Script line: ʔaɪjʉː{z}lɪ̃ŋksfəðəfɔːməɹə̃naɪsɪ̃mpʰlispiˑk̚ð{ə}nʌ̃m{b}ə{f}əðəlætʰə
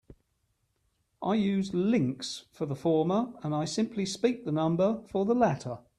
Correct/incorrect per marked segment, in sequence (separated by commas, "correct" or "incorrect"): correct, correct, correct, correct